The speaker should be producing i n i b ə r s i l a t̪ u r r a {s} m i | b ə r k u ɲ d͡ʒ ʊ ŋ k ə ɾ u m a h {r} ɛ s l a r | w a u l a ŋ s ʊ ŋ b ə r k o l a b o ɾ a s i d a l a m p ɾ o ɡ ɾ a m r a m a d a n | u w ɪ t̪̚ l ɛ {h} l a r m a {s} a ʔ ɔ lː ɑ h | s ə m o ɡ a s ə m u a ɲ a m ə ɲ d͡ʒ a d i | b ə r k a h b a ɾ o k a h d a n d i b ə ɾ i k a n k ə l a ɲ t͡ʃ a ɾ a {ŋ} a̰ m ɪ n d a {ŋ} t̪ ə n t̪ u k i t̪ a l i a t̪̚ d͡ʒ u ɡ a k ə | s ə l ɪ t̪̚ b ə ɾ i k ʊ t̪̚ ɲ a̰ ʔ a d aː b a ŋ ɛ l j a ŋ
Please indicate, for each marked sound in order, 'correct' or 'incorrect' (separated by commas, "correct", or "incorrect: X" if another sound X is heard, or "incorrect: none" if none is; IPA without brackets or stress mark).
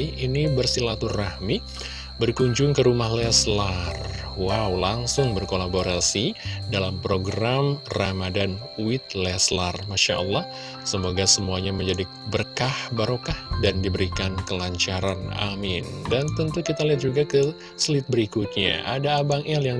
incorrect: h, incorrect: l, incorrect: s, incorrect: ʃ, incorrect: n, incorrect: n